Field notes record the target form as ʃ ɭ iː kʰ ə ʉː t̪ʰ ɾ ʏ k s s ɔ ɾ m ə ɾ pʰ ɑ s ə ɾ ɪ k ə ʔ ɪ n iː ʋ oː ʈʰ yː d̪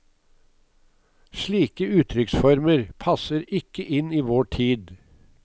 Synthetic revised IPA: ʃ ɭ iː k ə ʉː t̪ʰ ɾ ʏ k s f ɔ ɾ m ə ɾ pʰ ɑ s ə ɾ ɪ k ə ʔ ɪ n iː ʋ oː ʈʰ iː d̪